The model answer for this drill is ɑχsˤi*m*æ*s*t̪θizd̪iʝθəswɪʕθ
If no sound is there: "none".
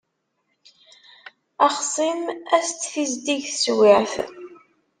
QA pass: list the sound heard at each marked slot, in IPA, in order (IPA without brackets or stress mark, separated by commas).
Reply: m, s